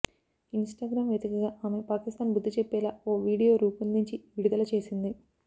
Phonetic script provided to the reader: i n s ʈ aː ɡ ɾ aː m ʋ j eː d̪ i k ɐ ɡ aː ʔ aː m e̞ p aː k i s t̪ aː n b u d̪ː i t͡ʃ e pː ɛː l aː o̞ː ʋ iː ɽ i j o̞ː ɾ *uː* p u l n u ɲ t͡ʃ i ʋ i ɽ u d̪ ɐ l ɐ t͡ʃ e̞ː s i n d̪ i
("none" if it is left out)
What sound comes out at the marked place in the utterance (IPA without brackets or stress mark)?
uː